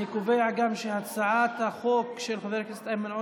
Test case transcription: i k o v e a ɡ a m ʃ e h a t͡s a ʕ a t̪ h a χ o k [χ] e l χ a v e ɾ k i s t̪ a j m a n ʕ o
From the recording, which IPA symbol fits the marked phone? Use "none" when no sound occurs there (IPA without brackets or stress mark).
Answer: ʃ